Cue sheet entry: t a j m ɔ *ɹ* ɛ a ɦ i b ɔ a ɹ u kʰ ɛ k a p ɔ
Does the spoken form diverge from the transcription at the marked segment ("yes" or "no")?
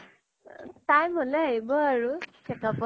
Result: yes